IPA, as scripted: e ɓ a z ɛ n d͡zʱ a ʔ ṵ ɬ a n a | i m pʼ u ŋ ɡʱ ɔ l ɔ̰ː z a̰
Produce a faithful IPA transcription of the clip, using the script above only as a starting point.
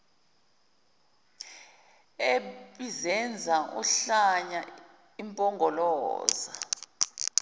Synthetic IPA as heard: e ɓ i z ɛ n d͡zʱ a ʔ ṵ ɬ a ɲ a | i m pʼ ɔ ŋ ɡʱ ɔ l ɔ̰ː z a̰

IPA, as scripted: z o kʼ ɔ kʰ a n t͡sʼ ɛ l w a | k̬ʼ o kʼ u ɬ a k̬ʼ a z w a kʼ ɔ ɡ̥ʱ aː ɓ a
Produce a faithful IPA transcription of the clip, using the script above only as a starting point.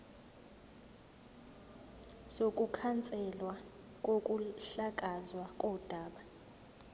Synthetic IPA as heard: s o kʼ u kʰ a n t͡sʼ ɛ l w a | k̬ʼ o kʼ u ɬ a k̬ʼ a z w a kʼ ɔ d̥ʱ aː ɓ a

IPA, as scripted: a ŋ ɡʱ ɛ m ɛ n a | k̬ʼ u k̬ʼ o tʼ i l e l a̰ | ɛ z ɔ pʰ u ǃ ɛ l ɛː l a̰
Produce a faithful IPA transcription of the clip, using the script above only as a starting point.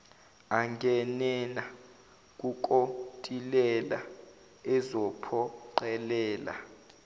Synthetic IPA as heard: a ŋ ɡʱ ɛ n ɛ n a | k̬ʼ u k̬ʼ o tʼ i l ɛ l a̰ | ɛ z ɔ pʰ ɔ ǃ ɛ l ɛː l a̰

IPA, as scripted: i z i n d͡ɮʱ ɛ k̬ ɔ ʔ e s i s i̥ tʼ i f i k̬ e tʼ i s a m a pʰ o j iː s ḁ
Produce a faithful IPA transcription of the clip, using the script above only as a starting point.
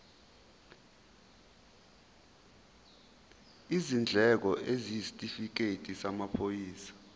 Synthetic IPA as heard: i z i n d͡ɮʱ ɛ k̬ ɔ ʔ e z i s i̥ tʼ i f i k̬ e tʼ i s a m a pʰ o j iː s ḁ

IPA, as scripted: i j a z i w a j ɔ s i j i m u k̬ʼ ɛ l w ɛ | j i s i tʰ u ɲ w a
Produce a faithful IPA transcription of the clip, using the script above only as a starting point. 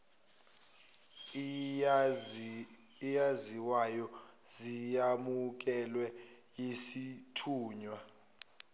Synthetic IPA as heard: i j a z i w a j ɔ z i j a m u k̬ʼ ɛ l w ɛ | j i s i tʰ uː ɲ w a

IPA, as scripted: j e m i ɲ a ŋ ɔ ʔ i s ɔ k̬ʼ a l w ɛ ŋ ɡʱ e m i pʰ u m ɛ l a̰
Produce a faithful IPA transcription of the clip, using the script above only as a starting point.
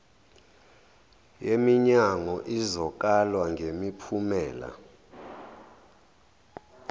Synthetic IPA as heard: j e m i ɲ a ŋ ɔ ʔ i z ɔ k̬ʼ a l w a ŋ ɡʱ e m i pʰ u m ɛː l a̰

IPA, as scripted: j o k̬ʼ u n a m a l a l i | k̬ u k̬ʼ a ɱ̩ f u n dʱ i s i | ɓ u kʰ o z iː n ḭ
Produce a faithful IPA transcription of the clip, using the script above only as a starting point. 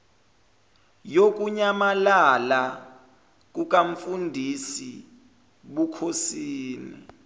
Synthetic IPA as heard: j o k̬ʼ u ɲ a m a l a l a | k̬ u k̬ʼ a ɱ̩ f u n dʱ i s i | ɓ u kʰ o s iː n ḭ

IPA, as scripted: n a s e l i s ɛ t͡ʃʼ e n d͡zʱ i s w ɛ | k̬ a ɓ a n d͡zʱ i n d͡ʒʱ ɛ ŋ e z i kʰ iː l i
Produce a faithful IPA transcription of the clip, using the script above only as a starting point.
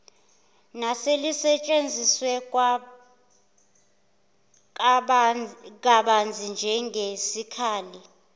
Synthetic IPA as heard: n a s e l i s ɛ t͡ʃʼ e n d͡zʱ i s w ɛ | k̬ a ɓ a n d͡zʱ i n d͡ʒʱ ɛ ŋ e s i kʰ aː l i

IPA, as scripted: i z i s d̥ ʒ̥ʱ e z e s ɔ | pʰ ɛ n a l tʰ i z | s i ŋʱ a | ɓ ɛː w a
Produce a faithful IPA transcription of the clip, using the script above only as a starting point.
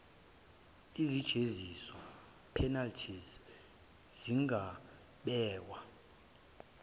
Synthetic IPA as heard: i z i d̥ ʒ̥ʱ e z i s ɔ | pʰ ɛ n a l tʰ i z | z i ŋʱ a | ɓ ɛː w a

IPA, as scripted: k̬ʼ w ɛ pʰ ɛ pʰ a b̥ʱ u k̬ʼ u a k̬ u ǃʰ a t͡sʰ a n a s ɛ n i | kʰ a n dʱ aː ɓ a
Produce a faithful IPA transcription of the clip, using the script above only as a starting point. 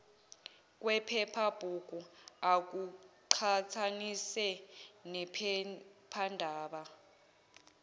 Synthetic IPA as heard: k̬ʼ w ɛ pʰ ɛ pʰ a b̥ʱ u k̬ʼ u a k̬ u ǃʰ a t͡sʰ a n i s ɛ n ɛ | pʰ a n dʱ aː ɓ a

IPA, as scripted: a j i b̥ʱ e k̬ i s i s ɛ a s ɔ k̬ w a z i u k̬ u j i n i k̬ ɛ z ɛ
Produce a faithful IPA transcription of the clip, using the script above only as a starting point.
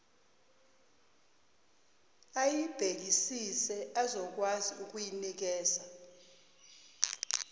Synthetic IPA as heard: a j i b̥ʱ e k̬ i s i s ɛ a z ɔ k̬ w a z i u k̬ u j i n i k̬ ɛː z a

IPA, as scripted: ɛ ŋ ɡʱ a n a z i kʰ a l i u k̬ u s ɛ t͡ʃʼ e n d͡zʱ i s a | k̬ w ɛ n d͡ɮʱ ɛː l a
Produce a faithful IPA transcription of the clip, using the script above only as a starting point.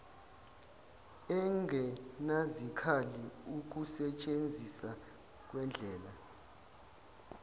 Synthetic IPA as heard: ɛ ŋ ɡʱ ɛ n a z i kʰ a l i u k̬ u s ɛ t͡ʃʼ e n d͡zʱ i s a | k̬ w ɛ n d͡ɮʱ ɛː l a

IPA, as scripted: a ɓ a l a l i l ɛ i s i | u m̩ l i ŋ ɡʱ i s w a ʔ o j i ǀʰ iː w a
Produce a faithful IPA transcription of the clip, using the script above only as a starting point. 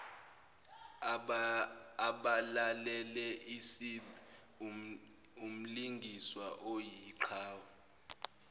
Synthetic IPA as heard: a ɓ a l a l ɛ l ɛ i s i | u m̩ l i ŋ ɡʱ i s w a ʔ o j i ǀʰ aː w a

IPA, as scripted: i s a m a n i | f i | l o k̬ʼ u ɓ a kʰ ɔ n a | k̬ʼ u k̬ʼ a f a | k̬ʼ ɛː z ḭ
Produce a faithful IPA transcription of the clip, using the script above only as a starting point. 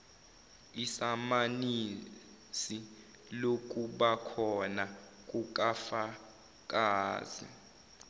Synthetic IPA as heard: i s a m a n i | s i | l o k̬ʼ u ɓ a kʰ ɔ n a | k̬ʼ u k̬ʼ a f a | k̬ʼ aː z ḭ

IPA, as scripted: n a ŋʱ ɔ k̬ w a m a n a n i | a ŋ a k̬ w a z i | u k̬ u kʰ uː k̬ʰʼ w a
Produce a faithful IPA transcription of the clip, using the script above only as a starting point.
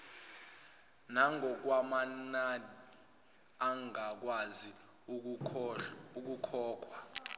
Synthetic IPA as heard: n a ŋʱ ɔ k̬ w a m a n a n i | a ŋ a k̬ w a z i | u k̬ u kʰ ɔː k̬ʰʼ w a

